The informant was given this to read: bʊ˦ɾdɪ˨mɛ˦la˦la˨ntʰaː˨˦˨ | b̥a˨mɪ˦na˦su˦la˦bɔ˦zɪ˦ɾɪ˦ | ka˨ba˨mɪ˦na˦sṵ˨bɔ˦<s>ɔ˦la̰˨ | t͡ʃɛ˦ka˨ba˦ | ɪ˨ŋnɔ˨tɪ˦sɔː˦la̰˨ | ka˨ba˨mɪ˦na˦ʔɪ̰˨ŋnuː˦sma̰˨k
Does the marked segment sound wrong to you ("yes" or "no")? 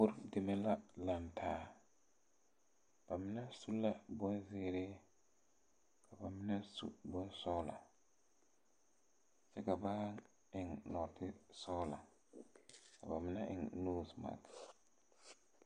no